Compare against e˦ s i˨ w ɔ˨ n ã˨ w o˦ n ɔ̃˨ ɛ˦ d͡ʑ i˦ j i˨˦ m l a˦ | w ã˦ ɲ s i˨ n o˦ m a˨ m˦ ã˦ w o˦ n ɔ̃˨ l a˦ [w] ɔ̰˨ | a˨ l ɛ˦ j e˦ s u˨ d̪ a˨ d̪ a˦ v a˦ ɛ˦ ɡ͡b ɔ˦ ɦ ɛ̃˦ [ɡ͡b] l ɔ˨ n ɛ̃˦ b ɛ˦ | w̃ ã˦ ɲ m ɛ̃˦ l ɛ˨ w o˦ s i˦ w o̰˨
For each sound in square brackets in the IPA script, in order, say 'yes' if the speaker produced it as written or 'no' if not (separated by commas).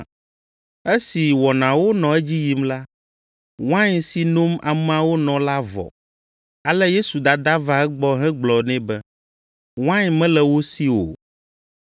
no, yes